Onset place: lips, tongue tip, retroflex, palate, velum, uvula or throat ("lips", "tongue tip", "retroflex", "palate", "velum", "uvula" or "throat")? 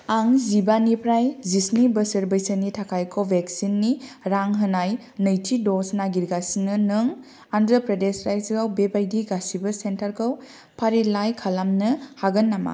velum